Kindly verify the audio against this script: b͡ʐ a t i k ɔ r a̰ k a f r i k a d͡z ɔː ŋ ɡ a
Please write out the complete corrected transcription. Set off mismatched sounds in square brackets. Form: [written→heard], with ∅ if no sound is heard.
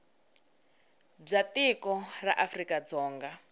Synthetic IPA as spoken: b͡ʐ a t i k ɔ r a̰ [k→ʔ] a f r i k a d͡z ɔː ŋ ɡ a